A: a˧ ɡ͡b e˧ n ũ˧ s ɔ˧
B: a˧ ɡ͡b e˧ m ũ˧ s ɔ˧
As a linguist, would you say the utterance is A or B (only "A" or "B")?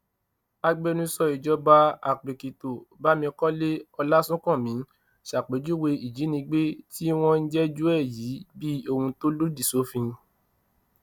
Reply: A